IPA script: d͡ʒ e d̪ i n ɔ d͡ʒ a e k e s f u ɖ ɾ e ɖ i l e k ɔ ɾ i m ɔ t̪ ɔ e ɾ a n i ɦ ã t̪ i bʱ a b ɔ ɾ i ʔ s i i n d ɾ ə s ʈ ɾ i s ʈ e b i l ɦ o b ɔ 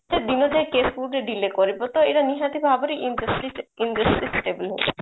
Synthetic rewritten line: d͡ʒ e d̪ i n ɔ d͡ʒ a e k e s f u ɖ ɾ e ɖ i l e k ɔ ɾ i b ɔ t̪ ɔ e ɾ a n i ɦ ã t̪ i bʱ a b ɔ ɾ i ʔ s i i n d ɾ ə s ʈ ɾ i s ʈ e b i l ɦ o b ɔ